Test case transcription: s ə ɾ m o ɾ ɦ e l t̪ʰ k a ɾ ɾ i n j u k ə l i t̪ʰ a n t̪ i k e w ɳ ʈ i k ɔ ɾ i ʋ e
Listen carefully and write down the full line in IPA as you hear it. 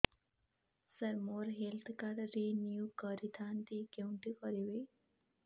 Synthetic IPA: s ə ɾ m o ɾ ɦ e l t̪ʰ k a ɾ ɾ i n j u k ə ɾ i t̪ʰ a n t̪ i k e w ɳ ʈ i k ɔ ɾ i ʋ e